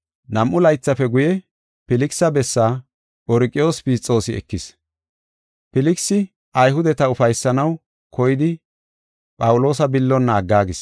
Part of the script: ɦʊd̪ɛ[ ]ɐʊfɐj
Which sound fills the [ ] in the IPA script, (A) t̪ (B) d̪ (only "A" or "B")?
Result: A